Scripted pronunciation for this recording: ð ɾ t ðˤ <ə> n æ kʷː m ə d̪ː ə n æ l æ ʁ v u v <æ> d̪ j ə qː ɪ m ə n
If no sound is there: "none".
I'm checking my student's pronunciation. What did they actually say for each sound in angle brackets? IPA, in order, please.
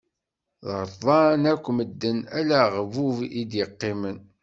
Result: ɑ, i

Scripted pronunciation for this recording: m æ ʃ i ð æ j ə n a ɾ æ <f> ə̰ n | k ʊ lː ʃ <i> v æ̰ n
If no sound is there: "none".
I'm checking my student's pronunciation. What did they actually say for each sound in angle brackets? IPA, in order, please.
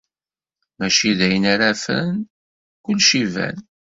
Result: f, i

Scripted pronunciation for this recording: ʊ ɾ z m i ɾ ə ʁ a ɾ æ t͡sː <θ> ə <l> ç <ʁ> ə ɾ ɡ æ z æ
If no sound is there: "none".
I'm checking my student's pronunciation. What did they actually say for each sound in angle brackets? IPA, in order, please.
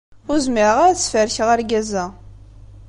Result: f, ɾ, ʁ

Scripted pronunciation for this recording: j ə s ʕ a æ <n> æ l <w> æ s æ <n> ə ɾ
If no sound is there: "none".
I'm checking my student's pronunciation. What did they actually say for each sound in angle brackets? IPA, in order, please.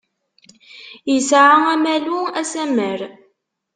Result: m, u, m

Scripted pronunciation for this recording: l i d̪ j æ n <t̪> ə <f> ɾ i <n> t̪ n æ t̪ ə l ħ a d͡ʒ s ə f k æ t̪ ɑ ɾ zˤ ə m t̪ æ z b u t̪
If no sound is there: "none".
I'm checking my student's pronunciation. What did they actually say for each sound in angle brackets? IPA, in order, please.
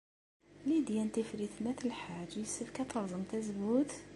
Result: t̪, f, none

